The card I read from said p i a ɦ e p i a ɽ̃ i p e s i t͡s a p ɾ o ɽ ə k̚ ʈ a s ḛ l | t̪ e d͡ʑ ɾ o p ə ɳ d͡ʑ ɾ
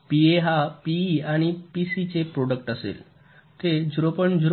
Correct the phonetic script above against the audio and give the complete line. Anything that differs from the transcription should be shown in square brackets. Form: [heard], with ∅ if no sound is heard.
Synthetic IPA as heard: p i [e] ɦ [a] p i a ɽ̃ i p [i] s i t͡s [e] p ɾ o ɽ ə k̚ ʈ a s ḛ l | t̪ e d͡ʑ ɾ o p ə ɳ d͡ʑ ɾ